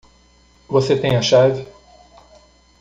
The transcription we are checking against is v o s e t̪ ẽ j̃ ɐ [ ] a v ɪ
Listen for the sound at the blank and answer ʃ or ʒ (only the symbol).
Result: ʃ